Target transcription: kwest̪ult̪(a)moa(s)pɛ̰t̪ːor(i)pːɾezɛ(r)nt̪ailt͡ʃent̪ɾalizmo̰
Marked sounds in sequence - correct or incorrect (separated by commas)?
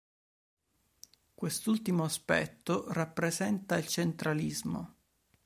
incorrect, correct, incorrect, incorrect